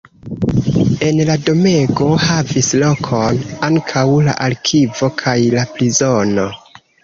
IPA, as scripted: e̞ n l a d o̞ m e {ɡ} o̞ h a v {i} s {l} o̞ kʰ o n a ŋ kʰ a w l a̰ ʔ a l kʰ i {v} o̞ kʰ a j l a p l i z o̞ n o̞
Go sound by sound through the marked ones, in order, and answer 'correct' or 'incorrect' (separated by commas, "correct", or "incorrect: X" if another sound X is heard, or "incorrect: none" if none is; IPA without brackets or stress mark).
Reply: correct, correct, correct, correct